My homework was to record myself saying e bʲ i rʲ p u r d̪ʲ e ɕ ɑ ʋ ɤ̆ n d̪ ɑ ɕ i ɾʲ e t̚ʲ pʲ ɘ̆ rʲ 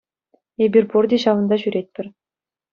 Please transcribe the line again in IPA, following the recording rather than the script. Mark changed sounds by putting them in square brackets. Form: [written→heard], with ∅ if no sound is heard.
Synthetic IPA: e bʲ i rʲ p u r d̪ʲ e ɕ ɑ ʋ ɤ̆ n d̪ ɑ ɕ [i→y] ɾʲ e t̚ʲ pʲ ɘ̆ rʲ